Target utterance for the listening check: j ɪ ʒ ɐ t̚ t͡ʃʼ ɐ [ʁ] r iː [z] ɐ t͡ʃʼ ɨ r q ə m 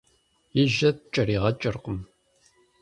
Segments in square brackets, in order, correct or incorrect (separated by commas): incorrect, incorrect